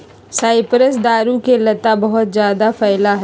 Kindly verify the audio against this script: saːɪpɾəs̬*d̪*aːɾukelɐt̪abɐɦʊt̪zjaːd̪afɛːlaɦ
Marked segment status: correct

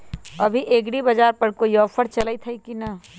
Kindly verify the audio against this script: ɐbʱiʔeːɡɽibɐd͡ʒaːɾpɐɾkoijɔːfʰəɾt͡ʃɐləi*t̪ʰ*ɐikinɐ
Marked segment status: correct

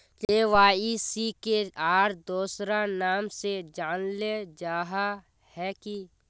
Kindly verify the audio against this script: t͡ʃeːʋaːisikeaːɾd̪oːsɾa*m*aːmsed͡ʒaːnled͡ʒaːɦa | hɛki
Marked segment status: incorrect: n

